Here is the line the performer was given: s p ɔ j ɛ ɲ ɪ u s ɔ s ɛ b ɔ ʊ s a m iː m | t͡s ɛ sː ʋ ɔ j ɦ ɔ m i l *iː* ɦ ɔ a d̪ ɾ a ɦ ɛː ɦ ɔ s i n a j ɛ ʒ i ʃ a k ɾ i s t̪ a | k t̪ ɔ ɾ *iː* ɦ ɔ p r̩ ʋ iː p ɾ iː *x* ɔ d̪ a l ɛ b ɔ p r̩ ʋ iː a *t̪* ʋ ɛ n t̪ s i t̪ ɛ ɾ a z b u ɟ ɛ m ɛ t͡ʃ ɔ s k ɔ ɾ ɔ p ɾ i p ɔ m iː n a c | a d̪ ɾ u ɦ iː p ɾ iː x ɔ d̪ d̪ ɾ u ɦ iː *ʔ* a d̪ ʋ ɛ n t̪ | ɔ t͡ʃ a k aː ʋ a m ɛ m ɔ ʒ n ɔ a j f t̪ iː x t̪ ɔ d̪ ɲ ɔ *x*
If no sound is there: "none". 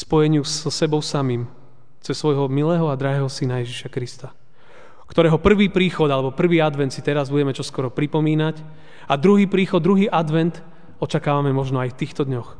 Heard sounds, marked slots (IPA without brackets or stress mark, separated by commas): ɛː, ɛː, x, d̪, ʔ, x